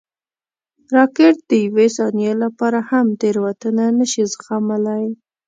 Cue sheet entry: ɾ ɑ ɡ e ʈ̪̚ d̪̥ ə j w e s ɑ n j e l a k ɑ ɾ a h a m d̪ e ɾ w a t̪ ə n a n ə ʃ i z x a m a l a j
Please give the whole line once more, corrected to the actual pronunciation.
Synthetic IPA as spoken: ɾ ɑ k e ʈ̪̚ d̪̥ ə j w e s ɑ n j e l a p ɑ ɾ a h a m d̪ e ɾ w a t̪ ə n a n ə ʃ i z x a m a l a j